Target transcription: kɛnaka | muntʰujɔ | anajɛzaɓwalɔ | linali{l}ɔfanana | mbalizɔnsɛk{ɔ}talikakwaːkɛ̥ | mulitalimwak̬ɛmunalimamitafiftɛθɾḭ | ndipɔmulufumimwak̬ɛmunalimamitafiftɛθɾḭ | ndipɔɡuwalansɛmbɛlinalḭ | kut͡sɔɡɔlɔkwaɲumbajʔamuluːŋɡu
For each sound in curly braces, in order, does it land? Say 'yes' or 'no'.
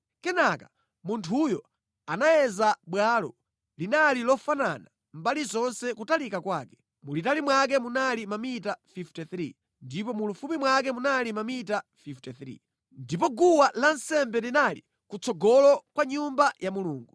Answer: yes, no

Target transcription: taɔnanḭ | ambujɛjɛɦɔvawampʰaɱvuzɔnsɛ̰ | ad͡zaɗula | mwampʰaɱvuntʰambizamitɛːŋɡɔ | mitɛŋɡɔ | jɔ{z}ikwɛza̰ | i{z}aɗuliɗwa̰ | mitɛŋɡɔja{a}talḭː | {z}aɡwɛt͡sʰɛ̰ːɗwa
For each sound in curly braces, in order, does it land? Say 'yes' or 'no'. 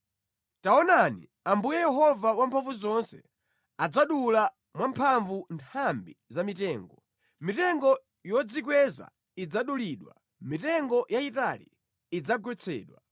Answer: no, no, no, no

